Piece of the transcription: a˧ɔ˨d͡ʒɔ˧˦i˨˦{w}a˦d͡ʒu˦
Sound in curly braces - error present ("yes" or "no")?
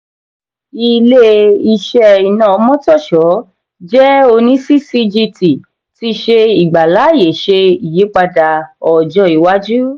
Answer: no